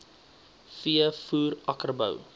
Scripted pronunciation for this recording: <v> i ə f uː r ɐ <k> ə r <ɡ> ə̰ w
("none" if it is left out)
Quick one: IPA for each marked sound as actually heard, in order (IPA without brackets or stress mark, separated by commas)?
f, k, b